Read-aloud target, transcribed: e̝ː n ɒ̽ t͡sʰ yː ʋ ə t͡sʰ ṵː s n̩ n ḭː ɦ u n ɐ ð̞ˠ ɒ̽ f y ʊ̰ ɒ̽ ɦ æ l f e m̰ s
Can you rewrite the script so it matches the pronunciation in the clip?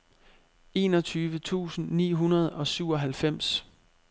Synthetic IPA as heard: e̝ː n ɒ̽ t͡sʰ yː ʋ ə t͡sʰ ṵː s n̩ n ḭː ɦ u n ɐ ð̞ˠ ɒ̽ s y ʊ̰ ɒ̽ ɦ æ l f e m̰ s